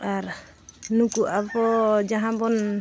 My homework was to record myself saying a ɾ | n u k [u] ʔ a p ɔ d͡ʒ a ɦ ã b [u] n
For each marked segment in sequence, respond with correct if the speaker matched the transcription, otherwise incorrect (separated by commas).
correct, incorrect